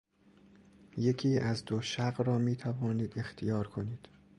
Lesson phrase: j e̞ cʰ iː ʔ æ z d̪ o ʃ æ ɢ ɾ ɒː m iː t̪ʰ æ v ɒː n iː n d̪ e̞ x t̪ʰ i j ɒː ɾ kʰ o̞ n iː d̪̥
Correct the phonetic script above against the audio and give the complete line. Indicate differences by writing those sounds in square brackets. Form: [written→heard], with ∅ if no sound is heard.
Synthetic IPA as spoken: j e̞ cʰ iː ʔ æ z d̪ o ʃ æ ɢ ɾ ɒː m iː t̪ʰ æ v ɒː n iː [n→∅] d̪ e̞ x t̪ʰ i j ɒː ɾ kʰ o̞ n iː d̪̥